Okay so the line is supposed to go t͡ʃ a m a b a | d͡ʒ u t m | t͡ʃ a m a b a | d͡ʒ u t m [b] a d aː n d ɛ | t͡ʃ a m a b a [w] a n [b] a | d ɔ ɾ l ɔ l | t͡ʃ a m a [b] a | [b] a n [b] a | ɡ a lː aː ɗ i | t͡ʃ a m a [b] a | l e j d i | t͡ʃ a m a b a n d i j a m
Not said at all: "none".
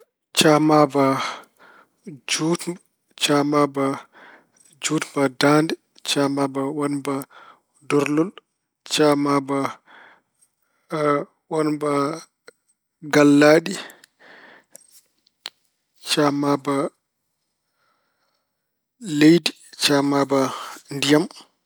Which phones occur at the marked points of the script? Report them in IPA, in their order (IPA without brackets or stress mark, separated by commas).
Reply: b, w, b, b, w, b, b